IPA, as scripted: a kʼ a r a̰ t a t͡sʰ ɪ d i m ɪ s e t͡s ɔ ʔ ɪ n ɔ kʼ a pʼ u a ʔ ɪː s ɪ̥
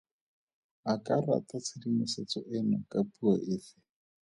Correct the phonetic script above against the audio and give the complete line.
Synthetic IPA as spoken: a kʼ a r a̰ t a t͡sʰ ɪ d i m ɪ s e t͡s ɔ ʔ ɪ n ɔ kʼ a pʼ u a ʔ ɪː f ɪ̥